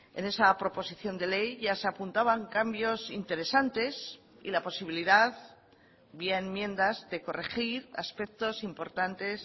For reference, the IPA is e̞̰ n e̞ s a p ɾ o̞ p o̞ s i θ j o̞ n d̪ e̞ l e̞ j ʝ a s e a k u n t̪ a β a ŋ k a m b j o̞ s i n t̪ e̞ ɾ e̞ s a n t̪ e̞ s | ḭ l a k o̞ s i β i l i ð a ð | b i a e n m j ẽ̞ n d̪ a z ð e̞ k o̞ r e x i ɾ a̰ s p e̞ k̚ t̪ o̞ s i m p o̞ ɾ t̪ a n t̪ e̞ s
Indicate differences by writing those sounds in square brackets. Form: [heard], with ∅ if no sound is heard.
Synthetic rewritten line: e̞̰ n e̞ s a p ɾ o̞ p o̞ s i θ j o̞ n d̪ e̞ l e̞ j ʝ a s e a [p] u n t̪ a β a ŋ k a m b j o̞ s i n t̪ e̞ ɾ e̞ s a n t̪ e̞ s | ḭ l a [p] o̞ s i β i l i ð a ð | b i a e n m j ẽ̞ n d̪ a z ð e̞ k o̞ r e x i ɾ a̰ s p e̞ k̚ t̪ o̞ s i m p o̞ ɾ t̪ a n t̪ e̞ s

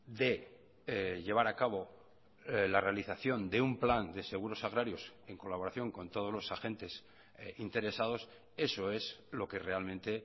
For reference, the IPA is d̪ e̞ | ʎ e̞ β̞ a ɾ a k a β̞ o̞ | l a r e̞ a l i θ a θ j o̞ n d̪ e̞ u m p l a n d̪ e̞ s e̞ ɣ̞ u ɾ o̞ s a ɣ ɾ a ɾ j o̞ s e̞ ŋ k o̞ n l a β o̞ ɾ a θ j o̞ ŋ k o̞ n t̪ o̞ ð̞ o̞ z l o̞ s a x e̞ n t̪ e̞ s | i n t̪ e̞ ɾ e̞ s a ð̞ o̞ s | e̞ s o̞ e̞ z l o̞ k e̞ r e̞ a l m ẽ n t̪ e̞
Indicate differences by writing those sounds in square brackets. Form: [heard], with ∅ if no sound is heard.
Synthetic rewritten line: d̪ e̞ | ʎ e̞ β̞ a ɾ a k a β̞ o̞ | l a r e̞ a l i θ a θ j o̞ n d̪ e̞ u m p l a n d̪ e̞ s e̞ ɣ̞ u ɾ o̞ s a ɣ ɾ a ɾ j o̞ s e̞ ŋ k o̞ [∅] l a β o̞ ɾ a θ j o̞ ŋ k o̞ n t̪ o̞ ð̞ o̞ z l o̞ s a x e̞ n t̪ e̞ s | i n t̪ e̞ ɾ e̞ s a ð̞ o̞ s | e̞ s o̞ e̞ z l o̞ k e̞ r e̞ a l m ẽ n t̪ e̞

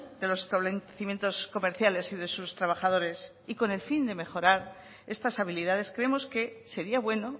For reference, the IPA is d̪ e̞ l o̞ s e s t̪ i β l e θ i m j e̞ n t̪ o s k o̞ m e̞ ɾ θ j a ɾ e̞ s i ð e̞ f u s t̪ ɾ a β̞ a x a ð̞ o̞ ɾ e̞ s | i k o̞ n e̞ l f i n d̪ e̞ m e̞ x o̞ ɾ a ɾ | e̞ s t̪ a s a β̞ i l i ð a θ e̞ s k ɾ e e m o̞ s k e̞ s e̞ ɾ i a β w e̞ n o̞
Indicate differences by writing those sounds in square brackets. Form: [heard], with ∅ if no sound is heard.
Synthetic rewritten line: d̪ e̞ l o̞ s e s t̪ [a] β l e θ i m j e̞ n t̪ o s k o̞ m e̞ ɾ θ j a [l] e̞ s i ð e̞ [s] u s t̪ ɾ a β̞ a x a ð̞ o̞ ɾ e̞ s | i k o̞ n e̞ l f i n d̪ e̞ m e̞ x o̞ ɾ a ɾ | e̞ s t̪ a s a β̞ i l i ð a [ð] e̞ s k ɾ e e m o̞ s k e̞ s e̞ ɾ i a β w e̞ n o̞

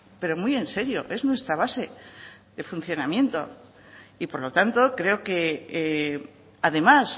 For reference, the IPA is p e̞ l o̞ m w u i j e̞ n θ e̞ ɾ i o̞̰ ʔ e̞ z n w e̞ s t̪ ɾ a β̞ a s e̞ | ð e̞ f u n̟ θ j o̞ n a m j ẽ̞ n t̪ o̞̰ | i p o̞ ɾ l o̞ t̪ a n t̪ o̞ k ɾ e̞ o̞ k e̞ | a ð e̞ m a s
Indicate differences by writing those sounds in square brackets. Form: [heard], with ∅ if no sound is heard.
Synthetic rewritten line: p e̞ [ɾ] o̞ m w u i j e̞ n [s] e̞ ɾ [j] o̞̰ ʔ e̞ z n w e̞ s t̪ ɾ a β̞ a s e̞ | ð e̞ f u n̟ θ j o̞ n a m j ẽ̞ n t̪ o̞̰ | i p o̞ ɾ l o̞ t̪ a n t̪ o̞ k ɾ e̞ o̞ k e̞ | a ð e̞ m a s

